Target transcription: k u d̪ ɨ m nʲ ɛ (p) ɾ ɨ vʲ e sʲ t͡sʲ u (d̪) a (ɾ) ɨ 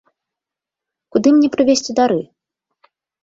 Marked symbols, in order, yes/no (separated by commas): yes, yes, yes